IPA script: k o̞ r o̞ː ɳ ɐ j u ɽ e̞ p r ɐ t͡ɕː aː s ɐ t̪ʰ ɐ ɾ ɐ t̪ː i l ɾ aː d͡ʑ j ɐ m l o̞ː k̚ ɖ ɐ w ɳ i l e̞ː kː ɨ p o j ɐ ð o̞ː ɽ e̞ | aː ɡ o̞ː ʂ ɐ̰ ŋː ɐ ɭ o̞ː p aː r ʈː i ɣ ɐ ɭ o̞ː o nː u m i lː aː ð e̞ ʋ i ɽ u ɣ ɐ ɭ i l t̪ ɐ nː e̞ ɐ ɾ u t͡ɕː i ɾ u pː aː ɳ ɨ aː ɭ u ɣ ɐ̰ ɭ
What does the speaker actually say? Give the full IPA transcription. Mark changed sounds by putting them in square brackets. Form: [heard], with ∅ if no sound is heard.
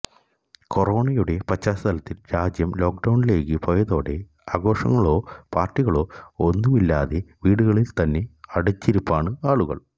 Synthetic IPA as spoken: k o̞ r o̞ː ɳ ɐ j u ɽ e̞ p r ɐ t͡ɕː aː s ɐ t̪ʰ ɐ [l] ɐ t̪ː i l ɾ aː d͡ʑ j ɐ m l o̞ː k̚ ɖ ɐ w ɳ i l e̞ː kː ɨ p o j ɐ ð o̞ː ɽ e̞ | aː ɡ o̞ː ʂ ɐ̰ ŋː ɐ ɭ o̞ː p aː r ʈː i ɣ ɐ ɭ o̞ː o nː u m i lː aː ð e̞ ʋ [iː] ɽ u ɣ ɐ ɭ i l t̪ ɐ nː e̞ ɐ [ɽ] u t͡ɕː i ɾ u pː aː ɳ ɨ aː ɭ u ɣ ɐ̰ ɭ